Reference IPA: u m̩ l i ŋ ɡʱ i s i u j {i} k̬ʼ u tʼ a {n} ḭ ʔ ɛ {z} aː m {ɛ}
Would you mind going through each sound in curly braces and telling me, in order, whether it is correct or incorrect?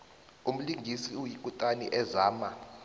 correct, correct, correct, incorrect: a

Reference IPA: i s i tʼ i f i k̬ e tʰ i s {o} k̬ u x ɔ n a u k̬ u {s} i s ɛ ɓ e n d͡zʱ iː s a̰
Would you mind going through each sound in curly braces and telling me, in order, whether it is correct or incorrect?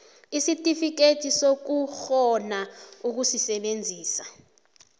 correct, correct

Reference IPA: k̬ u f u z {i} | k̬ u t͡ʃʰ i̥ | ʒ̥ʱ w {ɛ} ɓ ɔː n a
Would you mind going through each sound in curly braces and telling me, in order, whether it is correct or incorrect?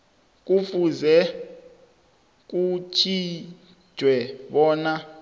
incorrect: ɛ, correct

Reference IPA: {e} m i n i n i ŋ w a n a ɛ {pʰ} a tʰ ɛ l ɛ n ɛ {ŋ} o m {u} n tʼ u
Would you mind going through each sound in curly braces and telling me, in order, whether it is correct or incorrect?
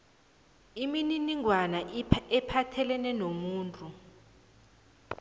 incorrect: i, correct, incorrect: n, incorrect: uː

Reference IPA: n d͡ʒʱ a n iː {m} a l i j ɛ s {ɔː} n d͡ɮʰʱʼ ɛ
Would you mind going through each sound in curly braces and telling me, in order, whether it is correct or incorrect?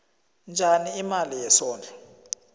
correct, correct

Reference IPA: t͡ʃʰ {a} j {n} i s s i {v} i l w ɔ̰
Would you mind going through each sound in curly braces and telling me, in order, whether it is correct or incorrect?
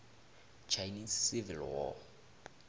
correct, correct, correct

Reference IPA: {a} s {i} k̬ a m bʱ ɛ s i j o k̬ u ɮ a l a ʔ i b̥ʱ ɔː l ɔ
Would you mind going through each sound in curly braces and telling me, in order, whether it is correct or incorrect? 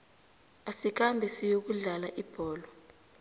correct, correct

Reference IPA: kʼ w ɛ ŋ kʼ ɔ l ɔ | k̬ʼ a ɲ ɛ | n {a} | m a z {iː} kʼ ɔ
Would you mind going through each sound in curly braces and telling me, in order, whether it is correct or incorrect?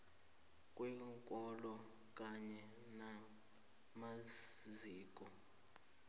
correct, correct

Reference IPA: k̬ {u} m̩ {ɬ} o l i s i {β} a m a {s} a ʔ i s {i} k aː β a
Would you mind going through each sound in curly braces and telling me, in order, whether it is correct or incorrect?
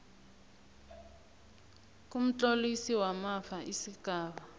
correct, incorrect: t͡ɬ, incorrect: w, incorrect: f, correct

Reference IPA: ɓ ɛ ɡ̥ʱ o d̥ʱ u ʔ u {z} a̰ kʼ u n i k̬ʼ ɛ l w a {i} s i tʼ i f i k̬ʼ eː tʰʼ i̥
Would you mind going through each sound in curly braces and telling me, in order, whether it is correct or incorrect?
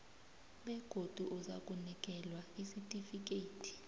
correct, correct

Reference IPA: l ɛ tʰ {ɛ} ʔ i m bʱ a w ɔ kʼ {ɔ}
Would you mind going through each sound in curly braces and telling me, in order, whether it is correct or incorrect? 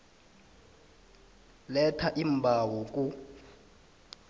incorrect: a, incorrect: u

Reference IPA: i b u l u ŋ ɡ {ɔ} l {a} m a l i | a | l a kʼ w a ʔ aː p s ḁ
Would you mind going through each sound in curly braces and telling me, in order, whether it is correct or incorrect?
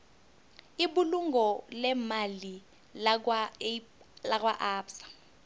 correct, incorrect: ɛ

